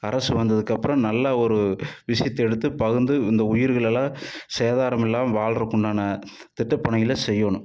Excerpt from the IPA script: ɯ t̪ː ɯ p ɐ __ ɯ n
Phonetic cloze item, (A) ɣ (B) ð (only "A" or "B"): A